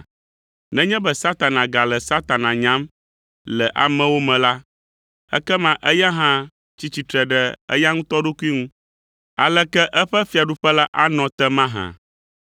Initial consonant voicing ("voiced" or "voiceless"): voiced